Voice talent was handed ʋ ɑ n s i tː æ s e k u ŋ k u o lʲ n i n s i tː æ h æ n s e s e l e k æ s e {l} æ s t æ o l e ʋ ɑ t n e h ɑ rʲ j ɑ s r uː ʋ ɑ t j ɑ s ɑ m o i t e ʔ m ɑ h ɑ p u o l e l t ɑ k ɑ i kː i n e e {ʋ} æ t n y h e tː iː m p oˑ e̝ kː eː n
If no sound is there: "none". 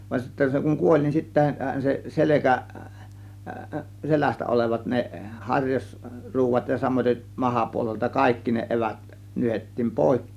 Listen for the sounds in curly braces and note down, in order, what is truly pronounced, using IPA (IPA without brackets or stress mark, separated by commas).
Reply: l, ʋ